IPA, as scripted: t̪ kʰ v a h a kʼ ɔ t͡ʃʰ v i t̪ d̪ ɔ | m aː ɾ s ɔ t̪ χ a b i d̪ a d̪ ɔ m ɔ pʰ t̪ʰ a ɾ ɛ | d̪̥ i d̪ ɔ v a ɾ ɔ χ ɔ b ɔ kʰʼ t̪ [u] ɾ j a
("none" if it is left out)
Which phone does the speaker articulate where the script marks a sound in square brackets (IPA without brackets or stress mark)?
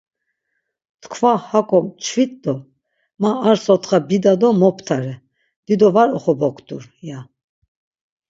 u